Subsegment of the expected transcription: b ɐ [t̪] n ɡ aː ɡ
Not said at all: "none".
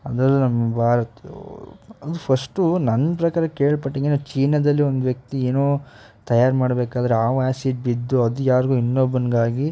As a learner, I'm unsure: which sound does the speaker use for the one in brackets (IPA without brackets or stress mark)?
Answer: none